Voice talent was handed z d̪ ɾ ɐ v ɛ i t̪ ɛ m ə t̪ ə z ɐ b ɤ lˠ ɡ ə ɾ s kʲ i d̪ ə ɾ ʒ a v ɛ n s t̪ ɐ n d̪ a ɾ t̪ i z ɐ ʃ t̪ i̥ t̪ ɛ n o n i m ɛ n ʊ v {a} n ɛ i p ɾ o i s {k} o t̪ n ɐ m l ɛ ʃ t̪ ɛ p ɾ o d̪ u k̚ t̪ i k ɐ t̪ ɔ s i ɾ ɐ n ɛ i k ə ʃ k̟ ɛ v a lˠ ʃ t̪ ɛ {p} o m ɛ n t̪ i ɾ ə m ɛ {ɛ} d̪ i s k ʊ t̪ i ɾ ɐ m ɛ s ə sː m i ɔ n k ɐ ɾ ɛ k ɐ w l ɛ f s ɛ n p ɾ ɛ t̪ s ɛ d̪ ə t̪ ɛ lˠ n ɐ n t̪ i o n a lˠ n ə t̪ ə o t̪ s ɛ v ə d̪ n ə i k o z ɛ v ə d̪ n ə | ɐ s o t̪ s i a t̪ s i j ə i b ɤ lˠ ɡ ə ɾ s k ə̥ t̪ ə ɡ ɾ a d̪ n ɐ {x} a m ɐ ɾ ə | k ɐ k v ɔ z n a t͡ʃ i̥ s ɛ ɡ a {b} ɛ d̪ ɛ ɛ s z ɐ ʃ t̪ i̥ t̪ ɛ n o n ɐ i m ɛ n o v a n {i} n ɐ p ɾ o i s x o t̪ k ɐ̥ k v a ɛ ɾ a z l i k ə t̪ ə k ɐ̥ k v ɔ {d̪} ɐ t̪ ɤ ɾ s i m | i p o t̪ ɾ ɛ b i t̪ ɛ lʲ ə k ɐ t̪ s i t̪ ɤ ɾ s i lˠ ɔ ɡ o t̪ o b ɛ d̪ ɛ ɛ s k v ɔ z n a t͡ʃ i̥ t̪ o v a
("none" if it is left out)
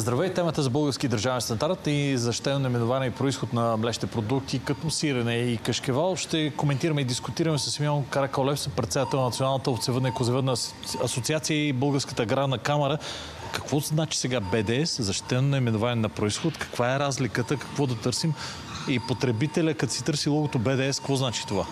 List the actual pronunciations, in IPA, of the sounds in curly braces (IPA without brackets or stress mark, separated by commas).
a, x, k, i, k, b, ɛ, d̪